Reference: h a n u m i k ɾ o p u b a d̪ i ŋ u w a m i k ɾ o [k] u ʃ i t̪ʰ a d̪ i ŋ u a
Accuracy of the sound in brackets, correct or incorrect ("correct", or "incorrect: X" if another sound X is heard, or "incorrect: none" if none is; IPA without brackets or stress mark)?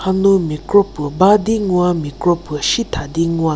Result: incorrect: p